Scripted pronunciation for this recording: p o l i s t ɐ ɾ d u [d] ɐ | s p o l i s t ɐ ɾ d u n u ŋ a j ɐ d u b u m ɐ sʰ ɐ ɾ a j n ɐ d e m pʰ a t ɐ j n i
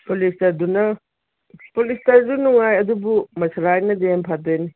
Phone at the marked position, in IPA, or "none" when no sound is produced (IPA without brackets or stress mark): n